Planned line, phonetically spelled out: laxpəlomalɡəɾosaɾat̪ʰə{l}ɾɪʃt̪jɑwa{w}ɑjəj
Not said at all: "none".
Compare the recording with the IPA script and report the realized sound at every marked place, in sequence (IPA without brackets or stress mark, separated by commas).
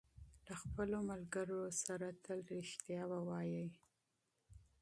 l, w